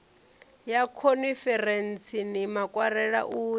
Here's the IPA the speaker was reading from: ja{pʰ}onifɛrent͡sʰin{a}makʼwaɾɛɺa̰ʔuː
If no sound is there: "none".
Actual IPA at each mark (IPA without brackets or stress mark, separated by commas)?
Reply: kʰ, i